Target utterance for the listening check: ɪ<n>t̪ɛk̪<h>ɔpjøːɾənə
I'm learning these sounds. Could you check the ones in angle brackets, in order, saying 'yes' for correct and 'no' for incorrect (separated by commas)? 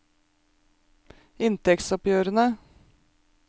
yes, no